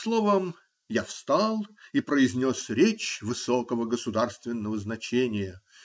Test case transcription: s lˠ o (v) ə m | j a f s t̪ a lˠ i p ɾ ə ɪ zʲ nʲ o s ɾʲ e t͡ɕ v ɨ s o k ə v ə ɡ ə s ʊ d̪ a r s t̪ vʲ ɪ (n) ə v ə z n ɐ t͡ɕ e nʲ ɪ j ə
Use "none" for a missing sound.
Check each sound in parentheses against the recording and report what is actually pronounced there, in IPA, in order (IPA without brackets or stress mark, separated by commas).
v, nː